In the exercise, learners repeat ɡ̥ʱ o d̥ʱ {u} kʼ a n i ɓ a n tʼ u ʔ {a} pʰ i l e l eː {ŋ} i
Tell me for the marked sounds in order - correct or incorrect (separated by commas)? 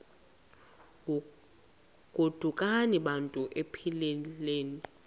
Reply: correct, incorrect, incorrect